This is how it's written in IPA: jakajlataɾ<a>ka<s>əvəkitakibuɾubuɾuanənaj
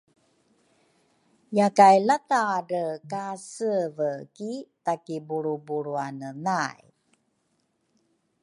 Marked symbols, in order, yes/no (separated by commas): no, yes